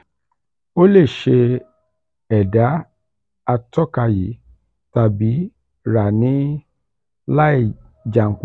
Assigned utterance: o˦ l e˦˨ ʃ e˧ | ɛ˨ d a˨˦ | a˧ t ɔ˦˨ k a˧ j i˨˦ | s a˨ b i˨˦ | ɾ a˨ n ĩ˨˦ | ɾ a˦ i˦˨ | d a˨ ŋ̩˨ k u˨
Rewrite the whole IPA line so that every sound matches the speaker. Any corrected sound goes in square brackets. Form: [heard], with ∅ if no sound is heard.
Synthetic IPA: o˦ l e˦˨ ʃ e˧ | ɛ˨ d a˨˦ | a˧ t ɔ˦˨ k a˧ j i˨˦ | [t] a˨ b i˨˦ | ɾ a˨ n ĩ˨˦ | [l] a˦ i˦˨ | [d͡ʒ] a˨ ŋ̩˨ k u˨